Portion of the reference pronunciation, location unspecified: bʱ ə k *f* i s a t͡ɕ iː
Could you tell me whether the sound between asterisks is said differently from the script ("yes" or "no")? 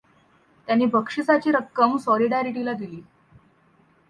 yes